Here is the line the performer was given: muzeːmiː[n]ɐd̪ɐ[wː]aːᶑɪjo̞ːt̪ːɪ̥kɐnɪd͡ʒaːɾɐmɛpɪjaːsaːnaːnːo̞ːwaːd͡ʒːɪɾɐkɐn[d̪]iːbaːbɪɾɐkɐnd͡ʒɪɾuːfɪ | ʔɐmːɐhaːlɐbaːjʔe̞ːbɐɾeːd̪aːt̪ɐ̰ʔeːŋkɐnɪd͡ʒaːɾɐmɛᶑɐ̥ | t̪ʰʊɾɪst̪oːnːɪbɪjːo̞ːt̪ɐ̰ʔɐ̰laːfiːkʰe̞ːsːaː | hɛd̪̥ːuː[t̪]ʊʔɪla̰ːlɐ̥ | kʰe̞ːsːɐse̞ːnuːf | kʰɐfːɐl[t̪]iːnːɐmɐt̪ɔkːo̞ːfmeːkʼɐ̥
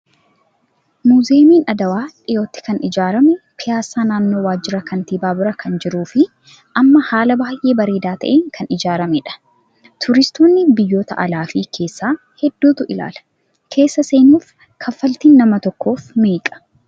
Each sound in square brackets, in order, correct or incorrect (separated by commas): correct, incorrect, incorrect, correct, correct